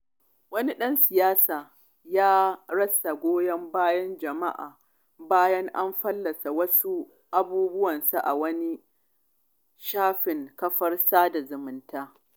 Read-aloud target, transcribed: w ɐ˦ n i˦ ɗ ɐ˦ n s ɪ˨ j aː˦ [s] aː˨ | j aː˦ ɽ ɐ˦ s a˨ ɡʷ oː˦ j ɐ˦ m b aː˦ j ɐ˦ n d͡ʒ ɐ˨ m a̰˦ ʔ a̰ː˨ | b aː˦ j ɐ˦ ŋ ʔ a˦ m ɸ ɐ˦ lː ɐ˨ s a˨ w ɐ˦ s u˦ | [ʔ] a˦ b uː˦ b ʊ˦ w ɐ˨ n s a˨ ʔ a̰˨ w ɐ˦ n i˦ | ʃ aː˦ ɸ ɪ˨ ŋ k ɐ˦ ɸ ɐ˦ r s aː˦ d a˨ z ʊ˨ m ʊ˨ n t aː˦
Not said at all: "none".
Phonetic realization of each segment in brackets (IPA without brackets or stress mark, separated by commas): s, ʔ